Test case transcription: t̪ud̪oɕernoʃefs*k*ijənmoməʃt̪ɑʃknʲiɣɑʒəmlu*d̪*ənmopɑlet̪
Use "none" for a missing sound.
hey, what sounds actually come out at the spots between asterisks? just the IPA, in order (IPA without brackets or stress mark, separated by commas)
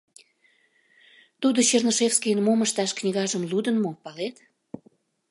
k, d̪